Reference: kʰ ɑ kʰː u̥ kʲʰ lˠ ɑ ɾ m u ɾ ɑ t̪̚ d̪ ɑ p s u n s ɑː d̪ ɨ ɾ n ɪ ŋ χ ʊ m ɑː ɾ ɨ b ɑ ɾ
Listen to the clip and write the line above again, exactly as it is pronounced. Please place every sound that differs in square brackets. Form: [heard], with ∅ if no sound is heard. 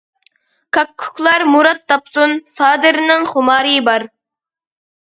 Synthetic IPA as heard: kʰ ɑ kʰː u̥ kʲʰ lˠ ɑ ɾ m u ɾ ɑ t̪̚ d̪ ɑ p s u n s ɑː d̪ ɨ ɾ n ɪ ŋ χ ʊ m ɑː ɾ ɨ b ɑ ɾ